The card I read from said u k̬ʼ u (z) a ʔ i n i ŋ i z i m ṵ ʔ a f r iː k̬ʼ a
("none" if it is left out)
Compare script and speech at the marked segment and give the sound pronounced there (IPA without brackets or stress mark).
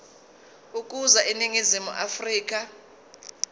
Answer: z